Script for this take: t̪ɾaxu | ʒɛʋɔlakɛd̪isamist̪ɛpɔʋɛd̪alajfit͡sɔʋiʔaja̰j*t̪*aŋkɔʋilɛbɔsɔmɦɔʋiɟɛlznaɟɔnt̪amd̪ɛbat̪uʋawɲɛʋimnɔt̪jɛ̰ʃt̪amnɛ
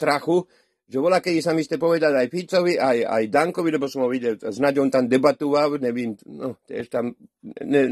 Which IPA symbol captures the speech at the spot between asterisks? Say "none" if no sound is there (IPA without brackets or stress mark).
d̪